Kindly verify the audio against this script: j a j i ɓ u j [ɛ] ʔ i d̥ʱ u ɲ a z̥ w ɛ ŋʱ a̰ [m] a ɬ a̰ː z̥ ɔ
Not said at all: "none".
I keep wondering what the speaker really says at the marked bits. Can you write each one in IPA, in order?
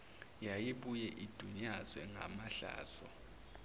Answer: ɛ, m

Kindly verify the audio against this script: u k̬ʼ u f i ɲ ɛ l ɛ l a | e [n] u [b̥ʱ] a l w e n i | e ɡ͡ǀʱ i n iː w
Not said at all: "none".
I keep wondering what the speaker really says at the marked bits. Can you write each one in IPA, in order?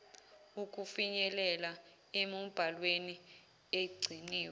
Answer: m, b̥ʱ

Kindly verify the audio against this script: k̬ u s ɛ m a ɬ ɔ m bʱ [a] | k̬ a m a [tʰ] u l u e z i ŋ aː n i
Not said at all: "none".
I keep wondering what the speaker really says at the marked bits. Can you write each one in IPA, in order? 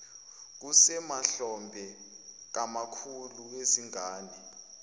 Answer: ɛ, kʰ

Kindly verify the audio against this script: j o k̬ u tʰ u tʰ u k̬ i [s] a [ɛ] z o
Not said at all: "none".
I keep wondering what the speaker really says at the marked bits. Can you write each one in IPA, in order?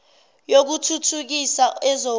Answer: s, ɛ

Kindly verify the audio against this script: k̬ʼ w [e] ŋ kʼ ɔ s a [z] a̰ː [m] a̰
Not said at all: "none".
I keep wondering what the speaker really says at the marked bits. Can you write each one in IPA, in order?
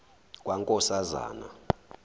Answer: a, z, n

